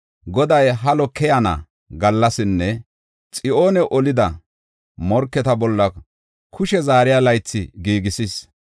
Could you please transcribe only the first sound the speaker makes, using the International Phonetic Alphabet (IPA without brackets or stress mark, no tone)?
ɡ